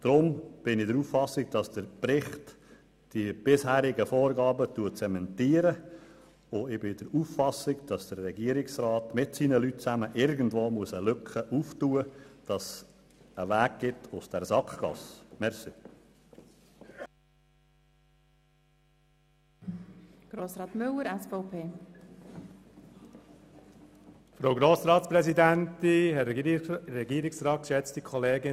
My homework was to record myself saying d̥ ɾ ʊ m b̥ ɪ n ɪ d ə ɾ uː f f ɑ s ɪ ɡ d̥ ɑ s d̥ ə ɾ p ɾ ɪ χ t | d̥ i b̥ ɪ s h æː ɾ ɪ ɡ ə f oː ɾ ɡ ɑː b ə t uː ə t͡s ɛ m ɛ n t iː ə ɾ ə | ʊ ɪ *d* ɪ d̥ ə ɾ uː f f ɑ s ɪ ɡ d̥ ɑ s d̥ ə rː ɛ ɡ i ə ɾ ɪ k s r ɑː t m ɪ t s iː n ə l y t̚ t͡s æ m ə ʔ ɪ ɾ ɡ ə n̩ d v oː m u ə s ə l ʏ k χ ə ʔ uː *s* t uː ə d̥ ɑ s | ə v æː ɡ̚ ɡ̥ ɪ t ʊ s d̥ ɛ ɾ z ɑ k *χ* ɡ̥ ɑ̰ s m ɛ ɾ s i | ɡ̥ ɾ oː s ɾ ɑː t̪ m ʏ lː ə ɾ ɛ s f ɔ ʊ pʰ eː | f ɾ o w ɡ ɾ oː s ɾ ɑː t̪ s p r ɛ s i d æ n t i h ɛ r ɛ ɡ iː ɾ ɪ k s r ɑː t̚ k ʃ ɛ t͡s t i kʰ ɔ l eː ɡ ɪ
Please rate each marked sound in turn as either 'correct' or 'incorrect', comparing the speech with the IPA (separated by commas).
incorrect, incorrect, correct